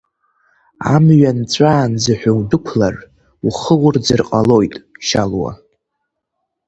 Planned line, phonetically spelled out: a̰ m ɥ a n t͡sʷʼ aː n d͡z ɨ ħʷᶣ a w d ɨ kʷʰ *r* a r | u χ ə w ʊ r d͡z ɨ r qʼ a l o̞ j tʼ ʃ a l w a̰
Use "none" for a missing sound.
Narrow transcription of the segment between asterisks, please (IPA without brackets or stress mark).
l